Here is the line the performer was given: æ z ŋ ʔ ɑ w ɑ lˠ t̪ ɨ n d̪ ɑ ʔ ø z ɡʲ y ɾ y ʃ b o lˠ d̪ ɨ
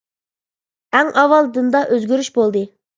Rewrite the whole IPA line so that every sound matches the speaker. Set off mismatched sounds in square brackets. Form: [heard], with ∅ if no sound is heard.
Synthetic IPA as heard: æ [∅] ŋ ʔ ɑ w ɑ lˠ [d̪] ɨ n d̪ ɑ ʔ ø z ɡʲ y ɾ y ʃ b o lˠ d̪ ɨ